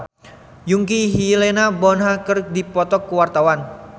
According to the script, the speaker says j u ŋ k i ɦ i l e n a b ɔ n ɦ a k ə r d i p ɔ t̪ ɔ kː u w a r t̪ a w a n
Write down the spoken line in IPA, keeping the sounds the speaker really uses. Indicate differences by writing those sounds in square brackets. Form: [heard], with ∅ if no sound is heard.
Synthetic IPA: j u ŋ k i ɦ i l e n a b ɔ n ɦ a k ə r d i p ɔ t̪ ɔ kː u w a r t̪ a w a n